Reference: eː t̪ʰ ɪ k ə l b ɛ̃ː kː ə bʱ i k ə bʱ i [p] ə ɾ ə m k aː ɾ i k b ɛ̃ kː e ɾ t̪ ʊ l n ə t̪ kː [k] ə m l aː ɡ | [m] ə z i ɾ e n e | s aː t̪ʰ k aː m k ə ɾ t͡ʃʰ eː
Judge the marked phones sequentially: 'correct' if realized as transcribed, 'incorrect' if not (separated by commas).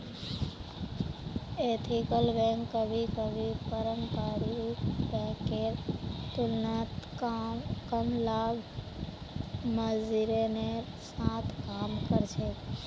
correct, correct, correct